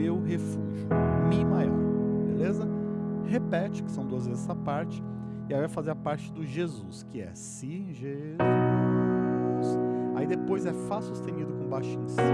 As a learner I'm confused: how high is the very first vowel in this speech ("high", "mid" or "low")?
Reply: mid